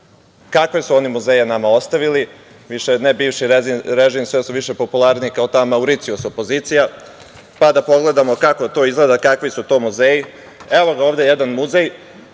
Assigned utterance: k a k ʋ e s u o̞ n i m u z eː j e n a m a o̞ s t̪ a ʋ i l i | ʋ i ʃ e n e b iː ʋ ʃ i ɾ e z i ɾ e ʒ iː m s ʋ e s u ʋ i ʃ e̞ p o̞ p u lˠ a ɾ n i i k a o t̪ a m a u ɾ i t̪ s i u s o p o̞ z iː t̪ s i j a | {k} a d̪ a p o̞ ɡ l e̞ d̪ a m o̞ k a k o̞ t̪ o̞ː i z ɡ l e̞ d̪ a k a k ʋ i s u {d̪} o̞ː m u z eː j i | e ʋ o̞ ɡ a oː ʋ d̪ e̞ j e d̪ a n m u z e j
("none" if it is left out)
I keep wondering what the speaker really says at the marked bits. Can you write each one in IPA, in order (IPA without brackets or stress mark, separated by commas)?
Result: p, t̪